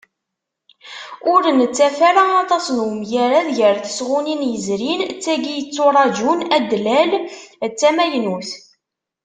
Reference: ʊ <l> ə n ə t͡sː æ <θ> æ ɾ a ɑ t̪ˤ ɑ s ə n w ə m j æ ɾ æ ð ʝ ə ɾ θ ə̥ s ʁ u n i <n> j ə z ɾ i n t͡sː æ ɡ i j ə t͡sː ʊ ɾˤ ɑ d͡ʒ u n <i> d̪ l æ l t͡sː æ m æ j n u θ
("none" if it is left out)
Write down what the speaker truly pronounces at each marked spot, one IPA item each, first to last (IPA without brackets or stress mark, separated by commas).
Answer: ɾ, f, n, æ